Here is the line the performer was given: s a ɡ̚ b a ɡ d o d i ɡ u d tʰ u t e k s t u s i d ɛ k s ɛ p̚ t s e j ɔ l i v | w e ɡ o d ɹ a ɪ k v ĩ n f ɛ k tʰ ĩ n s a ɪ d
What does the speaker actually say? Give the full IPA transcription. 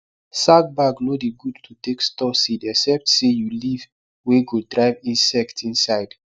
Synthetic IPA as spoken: s a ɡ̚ b a ɡ n o d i ɡ u d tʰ u t e k s t ɔ s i d ɛ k s ɛ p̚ t s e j u l i v | w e ɡ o d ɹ a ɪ v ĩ n s ɛ k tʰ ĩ n s a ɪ d